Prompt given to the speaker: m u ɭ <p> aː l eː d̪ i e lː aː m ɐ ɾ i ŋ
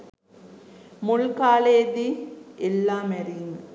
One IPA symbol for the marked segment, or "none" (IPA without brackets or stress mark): k